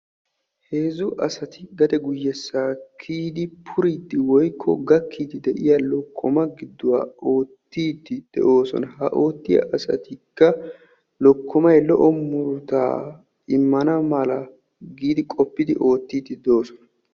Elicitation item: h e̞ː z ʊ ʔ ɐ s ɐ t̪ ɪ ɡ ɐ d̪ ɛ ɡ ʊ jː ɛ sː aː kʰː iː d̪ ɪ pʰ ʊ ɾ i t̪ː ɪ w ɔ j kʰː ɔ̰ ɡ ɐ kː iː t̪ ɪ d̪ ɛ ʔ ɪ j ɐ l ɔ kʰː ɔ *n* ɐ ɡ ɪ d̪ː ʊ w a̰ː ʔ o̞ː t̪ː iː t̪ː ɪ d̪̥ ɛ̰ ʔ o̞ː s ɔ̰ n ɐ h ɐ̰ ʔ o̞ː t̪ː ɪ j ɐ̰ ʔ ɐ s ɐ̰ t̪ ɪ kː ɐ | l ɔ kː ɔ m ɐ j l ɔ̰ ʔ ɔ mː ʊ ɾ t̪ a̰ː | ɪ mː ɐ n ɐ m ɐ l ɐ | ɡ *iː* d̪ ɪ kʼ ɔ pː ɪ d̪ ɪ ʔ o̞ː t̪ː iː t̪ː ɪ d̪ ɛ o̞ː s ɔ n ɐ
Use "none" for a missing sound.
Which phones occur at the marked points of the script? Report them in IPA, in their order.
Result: m, iː

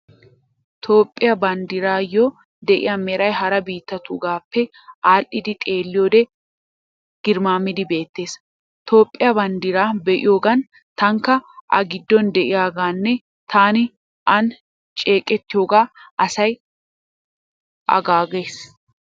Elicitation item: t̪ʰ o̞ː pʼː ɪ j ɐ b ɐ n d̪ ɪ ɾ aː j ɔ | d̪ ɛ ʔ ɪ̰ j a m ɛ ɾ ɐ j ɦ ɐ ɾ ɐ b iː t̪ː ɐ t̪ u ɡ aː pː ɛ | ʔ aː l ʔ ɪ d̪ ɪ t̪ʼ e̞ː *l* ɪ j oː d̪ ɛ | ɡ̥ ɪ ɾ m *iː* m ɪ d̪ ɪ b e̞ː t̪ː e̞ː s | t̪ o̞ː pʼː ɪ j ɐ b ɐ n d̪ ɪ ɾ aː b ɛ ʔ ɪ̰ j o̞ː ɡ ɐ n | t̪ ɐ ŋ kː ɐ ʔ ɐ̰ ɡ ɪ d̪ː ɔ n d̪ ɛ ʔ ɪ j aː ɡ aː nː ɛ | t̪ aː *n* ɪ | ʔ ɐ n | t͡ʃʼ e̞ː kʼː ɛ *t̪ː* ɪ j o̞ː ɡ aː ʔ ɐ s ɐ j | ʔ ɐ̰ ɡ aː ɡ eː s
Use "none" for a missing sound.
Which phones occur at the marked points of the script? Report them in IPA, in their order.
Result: lː, aː, n, t̪ː

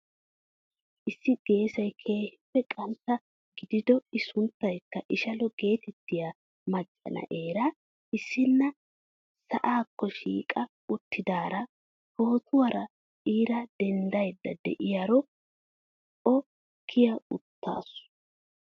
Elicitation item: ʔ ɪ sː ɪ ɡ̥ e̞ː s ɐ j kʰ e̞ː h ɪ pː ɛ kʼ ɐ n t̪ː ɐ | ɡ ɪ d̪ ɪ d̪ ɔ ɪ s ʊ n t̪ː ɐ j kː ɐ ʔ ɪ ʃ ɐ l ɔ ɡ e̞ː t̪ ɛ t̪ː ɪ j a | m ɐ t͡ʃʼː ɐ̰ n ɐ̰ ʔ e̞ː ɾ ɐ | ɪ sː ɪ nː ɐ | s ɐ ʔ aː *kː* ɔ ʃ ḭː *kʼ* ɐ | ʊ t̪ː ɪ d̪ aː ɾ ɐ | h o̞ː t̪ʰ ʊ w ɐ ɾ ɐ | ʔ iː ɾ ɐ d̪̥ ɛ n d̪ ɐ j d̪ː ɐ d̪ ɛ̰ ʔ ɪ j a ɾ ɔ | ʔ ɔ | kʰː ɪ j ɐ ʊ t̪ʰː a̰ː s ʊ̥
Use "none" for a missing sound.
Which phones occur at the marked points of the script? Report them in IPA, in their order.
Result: kː, kʼ

